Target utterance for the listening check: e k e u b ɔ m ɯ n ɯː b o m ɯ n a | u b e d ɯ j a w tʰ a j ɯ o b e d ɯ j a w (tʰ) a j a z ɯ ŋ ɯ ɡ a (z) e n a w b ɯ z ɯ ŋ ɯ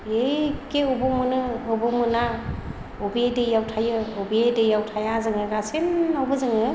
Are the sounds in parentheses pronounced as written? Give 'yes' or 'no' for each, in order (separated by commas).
yes, no